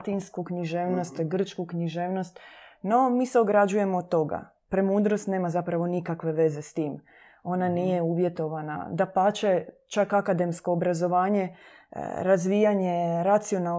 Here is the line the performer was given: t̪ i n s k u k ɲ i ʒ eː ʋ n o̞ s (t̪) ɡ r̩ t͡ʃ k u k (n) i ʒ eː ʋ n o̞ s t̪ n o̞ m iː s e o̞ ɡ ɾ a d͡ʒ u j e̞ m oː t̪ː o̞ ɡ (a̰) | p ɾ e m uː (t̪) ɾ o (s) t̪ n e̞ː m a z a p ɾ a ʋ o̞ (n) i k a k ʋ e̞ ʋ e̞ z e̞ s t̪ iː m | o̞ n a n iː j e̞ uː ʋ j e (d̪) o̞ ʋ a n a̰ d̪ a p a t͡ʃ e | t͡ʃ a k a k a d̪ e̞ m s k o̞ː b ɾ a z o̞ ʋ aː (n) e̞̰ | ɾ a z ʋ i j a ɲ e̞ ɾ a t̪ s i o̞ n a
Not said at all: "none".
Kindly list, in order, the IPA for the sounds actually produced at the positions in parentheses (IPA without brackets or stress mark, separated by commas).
t̪, ɲ, a̰, d̪, s, n, t̪, ɲ